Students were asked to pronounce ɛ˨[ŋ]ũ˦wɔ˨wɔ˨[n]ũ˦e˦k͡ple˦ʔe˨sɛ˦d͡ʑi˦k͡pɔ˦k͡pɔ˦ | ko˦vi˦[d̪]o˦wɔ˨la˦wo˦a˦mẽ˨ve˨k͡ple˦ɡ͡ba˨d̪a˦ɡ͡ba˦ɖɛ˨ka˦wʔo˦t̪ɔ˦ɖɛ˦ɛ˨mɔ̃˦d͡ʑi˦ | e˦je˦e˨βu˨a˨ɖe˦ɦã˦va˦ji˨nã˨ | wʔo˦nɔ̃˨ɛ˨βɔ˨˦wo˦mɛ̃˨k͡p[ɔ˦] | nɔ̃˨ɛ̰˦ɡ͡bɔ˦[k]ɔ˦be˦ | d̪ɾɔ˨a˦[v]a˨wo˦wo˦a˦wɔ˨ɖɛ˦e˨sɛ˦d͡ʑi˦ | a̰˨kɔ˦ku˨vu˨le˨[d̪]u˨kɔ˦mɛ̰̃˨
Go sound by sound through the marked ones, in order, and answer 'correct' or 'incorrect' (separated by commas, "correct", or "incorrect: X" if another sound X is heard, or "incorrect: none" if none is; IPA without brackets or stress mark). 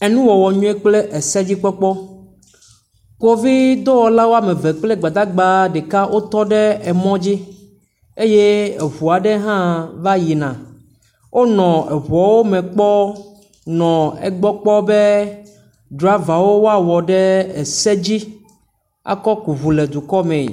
incorrect: n, incorrect: ɲ, correct, correct, incorrect: k͡p, correct, correct